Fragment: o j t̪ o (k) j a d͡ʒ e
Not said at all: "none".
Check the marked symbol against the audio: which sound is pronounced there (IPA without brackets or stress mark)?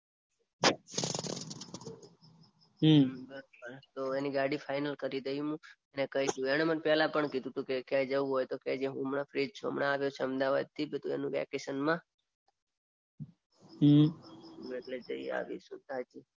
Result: k